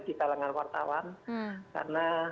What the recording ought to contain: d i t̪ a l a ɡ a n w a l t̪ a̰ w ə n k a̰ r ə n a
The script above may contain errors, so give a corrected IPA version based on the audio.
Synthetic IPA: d i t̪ a l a ŋ a n w a r t̪ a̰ w a n k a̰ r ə n a